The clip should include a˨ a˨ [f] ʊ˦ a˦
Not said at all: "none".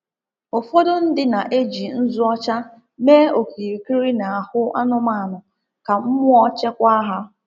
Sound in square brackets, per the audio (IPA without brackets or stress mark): h